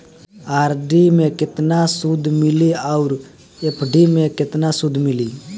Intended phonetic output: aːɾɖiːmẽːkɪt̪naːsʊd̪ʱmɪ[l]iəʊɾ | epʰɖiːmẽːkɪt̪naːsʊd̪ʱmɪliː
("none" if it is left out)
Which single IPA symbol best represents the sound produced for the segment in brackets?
l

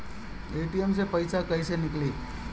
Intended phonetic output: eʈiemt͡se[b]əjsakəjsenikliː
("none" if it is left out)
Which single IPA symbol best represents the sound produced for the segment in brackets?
p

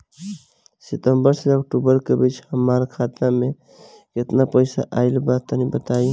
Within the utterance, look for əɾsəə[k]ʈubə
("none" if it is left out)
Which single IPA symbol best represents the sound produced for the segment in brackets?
k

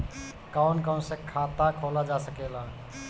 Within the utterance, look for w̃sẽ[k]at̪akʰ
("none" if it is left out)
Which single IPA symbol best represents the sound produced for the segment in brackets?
kʰ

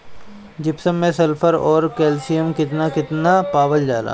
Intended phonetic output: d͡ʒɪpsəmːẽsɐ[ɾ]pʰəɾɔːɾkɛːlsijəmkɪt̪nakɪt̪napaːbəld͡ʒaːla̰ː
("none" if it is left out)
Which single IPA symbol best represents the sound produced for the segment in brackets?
l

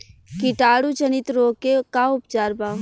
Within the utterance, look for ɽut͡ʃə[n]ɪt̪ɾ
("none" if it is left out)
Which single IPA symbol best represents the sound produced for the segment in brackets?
n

